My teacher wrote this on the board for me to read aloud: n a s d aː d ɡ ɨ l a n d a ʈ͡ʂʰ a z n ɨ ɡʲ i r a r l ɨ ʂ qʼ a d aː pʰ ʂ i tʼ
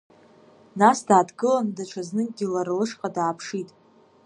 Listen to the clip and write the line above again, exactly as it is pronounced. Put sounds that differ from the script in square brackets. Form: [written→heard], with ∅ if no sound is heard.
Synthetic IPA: n a s d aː d ɡ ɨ l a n d a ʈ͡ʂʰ a z n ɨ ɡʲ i [r→l] a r l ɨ ʂ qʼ a d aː pʰ ʂ i tʼ